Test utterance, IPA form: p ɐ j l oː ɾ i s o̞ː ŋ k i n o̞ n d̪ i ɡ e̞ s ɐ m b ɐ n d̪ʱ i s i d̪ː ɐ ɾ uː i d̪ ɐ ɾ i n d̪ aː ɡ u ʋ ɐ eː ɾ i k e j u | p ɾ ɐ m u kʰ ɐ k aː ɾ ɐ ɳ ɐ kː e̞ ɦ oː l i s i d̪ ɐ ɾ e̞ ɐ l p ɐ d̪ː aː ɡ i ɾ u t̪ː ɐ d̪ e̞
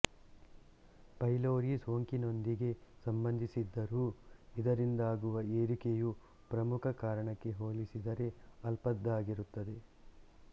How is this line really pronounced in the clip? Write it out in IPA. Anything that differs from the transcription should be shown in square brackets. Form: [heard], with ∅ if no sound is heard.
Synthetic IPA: p ɐ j l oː ɾ i s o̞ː ŋ k i n o̞ n d̪ i ɡ e̞ s ɐ m b ɐ n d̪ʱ i s i d̪ː ɐ ɾ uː i d̪ ɐ ɾ i n d̪ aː ɡ u ʋ ɐ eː ɾ i k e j u | p ɾ ɐ m u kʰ ɐ k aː ɾ ɐ ɳ ɐ kː e̞ ɦ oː l i s i d̪ ɐ ɾ e̞ ɐ l p ɐ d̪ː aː ɡ i ɾ u t̪ː ɐ d̪ e̞